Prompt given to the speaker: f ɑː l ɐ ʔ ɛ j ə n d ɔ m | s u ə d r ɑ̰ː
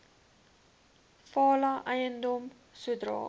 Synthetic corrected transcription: f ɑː l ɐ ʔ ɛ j ə n d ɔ m | s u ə d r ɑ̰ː

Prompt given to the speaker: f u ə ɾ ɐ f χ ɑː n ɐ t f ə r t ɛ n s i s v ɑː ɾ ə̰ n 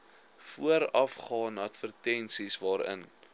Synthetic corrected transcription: f u ə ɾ ɐ f χ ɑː n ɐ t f ə r t ɛ n s i s v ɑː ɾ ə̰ n

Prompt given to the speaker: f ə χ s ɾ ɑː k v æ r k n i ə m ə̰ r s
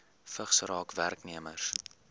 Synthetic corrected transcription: f ə χ s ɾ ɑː k v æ r k n i ə m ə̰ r s

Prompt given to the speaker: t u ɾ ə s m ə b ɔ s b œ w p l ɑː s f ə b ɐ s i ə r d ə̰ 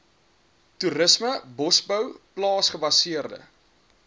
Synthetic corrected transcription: t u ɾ ə s m ə b ɔ s b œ w p l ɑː s χ ə b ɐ s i ə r d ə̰

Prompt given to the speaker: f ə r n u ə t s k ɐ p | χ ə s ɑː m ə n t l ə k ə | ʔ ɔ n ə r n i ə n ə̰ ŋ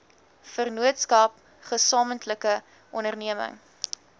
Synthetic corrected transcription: f ə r n u ə t s k ɐ p | χ ə s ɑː m ə n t l ə k ə | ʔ ɔ n ə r n i ə m ə̰ ŋ

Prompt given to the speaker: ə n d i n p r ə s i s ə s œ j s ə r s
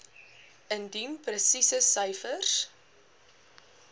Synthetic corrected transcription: ə n d i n p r ə s i s ə s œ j f ə r s

